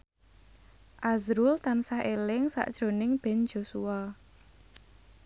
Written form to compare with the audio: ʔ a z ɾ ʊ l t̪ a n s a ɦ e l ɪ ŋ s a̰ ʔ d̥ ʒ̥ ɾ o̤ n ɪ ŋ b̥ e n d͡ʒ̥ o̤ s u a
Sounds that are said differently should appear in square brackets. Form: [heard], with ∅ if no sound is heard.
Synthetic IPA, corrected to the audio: ʔ a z ɾ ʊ l t̪ a n s a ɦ e l ɪ ŋ s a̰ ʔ d̥ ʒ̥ ɾ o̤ n ɪ ŋ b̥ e n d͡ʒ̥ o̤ s u a

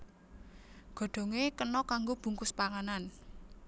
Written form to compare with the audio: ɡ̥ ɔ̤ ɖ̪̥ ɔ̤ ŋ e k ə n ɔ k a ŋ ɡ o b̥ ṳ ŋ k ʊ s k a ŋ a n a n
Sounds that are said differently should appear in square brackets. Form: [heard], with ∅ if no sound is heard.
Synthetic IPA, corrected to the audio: ɡ̥ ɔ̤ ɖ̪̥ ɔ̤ ŋ e k ə n ɔ k a ŋ ɡ o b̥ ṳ ŋ k ʊ s [p] a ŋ a n a n

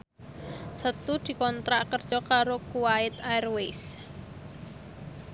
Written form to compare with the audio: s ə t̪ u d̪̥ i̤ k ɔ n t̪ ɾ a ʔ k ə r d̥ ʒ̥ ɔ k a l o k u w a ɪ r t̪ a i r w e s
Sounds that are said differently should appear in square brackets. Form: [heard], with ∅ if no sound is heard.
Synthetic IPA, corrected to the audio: s ə t̪ u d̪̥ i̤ k ɔ n t̪ ɾ a ʔ k ə r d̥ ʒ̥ ɔ k a [ɾ] o k u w a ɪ [∅] t̪ a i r w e s

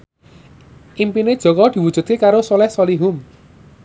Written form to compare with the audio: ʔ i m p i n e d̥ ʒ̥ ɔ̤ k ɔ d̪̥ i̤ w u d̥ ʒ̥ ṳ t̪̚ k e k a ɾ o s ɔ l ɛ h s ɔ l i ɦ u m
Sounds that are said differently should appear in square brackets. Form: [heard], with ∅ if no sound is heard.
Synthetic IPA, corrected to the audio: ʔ i m p i n e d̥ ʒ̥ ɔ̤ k ɔ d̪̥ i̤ w u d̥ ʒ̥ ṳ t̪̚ k e k a ɾ o s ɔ l ɛ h s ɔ l i ɦ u m

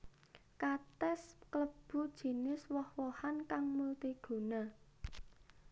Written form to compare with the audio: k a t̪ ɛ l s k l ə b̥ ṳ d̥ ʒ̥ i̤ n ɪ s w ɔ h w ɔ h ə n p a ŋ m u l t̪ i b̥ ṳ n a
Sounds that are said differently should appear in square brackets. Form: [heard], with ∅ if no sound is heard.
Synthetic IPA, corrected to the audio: k a t̪ ɛ [∅] s k l ə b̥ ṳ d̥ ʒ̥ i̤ n ɪ s w ɔ h w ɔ h [a] n [k] a ŋ m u l t̪ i [ɡ̥] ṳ n a

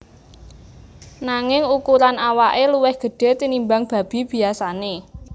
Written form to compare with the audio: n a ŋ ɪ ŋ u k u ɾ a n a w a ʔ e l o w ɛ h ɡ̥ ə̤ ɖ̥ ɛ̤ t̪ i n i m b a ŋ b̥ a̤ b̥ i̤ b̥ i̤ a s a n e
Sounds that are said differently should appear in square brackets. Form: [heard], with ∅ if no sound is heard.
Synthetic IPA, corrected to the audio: n a ŋ ɪ ŋ u k u ɾ a n a w a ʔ e l [u] w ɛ h ɡ̥ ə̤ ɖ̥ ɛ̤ t̪ i n i m b a ŋ b̥ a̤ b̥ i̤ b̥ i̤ a s a n e

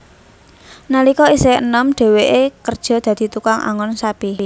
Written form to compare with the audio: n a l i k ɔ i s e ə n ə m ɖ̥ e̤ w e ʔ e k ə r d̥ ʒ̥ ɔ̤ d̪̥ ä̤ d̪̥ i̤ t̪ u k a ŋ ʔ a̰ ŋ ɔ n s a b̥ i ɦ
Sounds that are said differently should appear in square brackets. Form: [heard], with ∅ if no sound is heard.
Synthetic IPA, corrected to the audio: n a l i k ɔ i s e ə n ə m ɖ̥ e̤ w e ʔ e k ə r d̥ ʒ̥ ɔ̤ d̪̥ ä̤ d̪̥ i̤ t̪ u k a ŋ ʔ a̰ ŋ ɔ n s a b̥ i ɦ

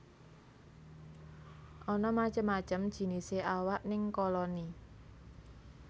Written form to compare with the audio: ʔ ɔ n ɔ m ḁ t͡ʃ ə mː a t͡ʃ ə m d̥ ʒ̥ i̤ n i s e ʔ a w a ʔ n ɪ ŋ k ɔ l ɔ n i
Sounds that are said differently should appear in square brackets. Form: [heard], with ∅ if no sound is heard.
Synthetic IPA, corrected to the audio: ʔ ɔ n ɔ m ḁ t͡ʃ ə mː a t͡ʃ ə m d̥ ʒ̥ i̤ n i s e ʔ a w a ʔ n ɪ ŋ k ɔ l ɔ n i

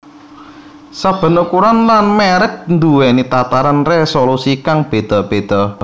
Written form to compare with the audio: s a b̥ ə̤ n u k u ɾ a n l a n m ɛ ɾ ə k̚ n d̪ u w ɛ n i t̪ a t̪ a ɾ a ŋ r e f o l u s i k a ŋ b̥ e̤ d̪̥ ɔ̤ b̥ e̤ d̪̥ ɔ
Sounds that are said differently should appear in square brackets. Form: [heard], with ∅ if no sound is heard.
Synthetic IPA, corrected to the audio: s a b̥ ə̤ n u k u ɾ a n l a n m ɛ ɾ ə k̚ n d̪ u w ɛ n i t̪ a t̪ a ɾ a [n] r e [s] o l u s i k a ŋ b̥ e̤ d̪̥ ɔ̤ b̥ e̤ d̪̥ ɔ

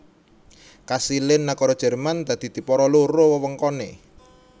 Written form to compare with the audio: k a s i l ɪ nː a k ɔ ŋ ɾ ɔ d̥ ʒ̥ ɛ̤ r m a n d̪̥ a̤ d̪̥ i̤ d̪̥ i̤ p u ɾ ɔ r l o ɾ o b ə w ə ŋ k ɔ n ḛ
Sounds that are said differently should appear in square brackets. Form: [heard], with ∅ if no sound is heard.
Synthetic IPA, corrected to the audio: k a s i l ɪ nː a k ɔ [∅] ɾ ɔ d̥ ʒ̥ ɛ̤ r m a n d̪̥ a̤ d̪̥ i̤ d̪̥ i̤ p [ɔ] ɾ ɔ [∅] l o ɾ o [w] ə w ə ŋ k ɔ n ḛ

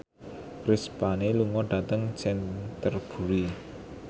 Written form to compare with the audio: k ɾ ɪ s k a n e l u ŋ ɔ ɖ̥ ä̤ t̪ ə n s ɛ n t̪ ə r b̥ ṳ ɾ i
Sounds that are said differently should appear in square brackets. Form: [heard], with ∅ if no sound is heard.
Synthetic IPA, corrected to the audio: k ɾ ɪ s [p] a n e l u ŋ ɔ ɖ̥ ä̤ t̪ ə [ŋ] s ɛ n t̪ ə r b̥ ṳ ɾ i

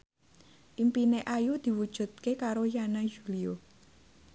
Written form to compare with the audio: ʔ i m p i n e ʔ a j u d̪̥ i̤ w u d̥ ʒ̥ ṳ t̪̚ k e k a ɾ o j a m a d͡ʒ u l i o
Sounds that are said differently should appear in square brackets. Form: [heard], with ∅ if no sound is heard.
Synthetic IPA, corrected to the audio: ʔ i m p i n e ʔ a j u d̪̥ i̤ w u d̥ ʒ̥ ṳ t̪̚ k e k a ɾ o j a [n] a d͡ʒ u l i o

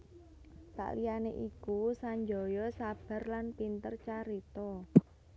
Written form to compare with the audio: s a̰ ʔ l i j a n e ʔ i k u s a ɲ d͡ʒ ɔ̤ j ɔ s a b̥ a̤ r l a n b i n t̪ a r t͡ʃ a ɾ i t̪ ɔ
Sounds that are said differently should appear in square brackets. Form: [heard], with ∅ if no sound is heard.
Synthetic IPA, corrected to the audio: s a̰ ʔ l i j a n e ʔ i k u s a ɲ d͡ʒ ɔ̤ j ɔ s a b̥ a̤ r l a n [p] i n t̪ [ə] r t͡ʃ a ɾ i t̪ ɔ

